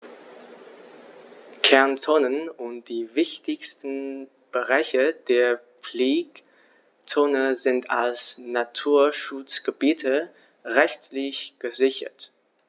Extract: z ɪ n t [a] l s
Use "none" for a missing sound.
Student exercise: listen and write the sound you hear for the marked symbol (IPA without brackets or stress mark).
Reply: a